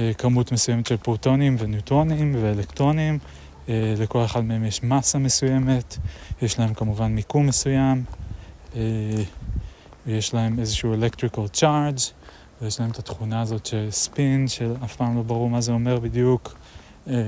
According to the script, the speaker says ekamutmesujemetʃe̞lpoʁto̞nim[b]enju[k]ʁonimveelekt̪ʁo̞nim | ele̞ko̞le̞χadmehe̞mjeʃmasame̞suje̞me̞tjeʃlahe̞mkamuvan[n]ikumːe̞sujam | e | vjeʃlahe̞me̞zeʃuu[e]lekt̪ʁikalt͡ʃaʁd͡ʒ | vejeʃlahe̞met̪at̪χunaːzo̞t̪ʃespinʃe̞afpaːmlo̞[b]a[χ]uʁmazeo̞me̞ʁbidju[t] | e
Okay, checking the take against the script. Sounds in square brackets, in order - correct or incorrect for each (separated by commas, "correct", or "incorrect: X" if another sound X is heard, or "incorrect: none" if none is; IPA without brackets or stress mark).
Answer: incorrect: v, incorrect: t, incorrect: m, correct, correct, incorrect: ʁ, incorrect: k